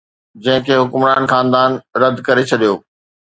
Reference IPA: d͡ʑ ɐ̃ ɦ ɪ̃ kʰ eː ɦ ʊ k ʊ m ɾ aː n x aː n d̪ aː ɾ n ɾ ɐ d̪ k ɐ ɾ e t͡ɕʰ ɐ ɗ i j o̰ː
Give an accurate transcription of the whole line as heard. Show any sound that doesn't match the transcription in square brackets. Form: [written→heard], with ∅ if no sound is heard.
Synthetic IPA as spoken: d͡ʑ ɐ̃ ɦ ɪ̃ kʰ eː ɦ ʊ k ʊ m ɾ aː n x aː n d̪ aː [ɾ→∅] n ɾ ɐ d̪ k ɐ ɾ e t͡ɕʰ ɐ ɗ i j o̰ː